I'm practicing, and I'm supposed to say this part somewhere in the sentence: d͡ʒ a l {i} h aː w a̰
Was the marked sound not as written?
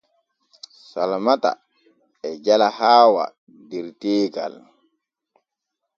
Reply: yes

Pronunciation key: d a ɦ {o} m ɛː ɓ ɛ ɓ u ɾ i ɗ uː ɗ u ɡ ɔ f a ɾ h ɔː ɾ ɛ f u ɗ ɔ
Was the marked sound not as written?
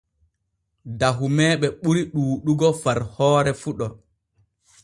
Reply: yes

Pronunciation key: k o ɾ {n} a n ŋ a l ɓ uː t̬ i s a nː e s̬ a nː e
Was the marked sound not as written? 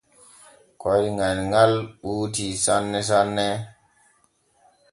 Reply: yes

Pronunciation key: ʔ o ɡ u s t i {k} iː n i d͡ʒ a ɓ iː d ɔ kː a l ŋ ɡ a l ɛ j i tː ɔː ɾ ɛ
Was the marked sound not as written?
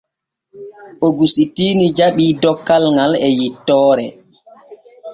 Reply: yes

